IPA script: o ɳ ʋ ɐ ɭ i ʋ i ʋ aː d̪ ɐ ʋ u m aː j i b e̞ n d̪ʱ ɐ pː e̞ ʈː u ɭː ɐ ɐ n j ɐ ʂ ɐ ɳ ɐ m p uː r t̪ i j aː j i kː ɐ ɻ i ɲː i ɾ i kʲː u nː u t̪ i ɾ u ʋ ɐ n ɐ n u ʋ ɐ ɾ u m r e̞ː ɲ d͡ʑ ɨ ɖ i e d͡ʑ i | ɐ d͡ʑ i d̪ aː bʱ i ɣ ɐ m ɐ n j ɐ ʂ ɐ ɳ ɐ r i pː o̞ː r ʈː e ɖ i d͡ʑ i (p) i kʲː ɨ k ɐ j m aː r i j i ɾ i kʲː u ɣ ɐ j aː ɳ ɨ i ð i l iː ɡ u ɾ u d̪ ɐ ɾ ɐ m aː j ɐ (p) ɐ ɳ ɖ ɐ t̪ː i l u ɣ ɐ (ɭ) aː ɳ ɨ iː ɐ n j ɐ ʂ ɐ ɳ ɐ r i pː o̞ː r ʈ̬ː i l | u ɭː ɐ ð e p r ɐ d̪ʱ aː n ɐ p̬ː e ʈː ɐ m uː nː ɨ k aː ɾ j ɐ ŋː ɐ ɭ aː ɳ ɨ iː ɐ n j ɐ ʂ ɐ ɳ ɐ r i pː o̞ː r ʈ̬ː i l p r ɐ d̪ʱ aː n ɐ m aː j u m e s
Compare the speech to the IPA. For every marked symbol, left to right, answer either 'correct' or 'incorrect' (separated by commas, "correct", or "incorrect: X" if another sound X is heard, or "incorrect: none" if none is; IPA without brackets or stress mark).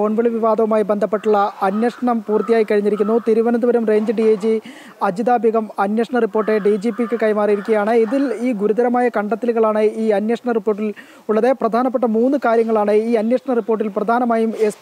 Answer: correct, incorrect: k, correct